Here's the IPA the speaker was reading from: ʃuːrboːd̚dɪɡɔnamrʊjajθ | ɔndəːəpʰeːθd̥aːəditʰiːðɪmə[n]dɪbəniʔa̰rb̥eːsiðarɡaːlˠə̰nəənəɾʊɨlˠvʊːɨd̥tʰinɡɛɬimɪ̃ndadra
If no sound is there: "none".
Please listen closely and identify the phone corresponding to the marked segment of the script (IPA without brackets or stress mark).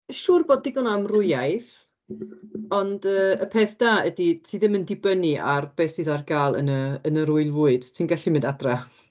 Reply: n